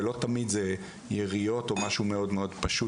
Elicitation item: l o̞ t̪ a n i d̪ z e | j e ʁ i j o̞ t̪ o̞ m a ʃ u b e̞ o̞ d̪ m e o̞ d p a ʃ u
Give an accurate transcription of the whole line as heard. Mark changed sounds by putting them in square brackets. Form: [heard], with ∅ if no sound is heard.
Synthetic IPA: l o̞ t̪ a [m] i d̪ z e | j e ʁ i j o̞ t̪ o̞ m a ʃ u [m] e̞ o̞ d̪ m e o̞ d p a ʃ u